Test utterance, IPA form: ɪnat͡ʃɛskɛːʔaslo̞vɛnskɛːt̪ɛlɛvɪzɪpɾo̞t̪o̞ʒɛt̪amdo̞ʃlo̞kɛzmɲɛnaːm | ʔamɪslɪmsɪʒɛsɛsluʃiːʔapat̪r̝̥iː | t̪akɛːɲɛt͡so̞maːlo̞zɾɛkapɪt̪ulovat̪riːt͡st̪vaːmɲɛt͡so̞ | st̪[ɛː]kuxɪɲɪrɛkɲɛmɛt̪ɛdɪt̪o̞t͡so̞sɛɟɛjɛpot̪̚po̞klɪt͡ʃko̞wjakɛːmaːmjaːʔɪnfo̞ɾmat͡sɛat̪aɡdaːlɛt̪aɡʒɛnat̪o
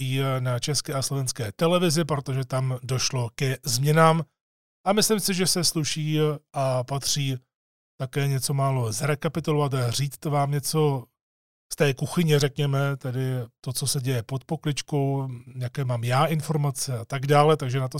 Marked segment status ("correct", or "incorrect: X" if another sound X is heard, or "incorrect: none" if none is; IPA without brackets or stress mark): correct